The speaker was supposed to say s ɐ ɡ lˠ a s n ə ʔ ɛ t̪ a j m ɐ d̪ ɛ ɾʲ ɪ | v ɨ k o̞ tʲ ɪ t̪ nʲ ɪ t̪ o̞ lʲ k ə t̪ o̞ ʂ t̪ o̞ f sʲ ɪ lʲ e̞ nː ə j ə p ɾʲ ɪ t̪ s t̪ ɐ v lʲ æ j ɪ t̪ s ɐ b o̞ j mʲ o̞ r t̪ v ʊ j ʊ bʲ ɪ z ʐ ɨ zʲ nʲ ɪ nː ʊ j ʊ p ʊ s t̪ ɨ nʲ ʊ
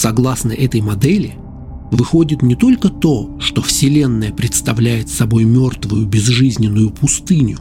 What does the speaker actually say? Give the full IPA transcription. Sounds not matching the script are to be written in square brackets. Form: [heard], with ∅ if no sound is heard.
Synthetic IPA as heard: s ɐ ɡ lˠ a s n ə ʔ ɛ t̪ [ə] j m ɐ d̪ ɛ [lʲ] ɪ | v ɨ [x] o̞ [dʲ] ɪ t̪ nʲ ɪ t̪ o̞ lʲ k ə t̪ o̞ ʂ t̪ o̞ f sʲ ɪ lʲ e̞ nː ə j ə p ɾʲ ɪ t̪ s t̪ ɐ v lʲ æ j ɪ t̪ s ɐ b o̞ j mʲ o̞ r t̪ v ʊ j ʊ bʲ ɪ z ʐ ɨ zʲ nʲ ɪ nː ʊ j ʊ p ʊ s t̪ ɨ nʲ ʊ